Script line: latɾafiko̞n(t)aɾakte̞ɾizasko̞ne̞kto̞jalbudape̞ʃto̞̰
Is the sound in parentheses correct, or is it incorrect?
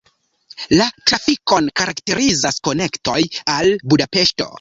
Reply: incorrect